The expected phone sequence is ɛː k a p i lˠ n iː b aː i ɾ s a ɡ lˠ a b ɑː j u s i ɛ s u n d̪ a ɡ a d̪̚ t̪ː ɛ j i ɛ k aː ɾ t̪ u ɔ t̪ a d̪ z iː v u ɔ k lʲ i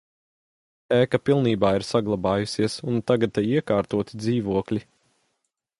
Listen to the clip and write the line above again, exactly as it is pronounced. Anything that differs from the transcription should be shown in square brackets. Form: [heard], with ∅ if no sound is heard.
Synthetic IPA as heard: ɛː k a p i lˠ n iː b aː i ɾ s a ɡ lˠ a b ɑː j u s i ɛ s u n [t̪] a ɡ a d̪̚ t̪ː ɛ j i ɛ k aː ɾ t̪ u ɔ t̪ [i] d̪ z iː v u ɔ k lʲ i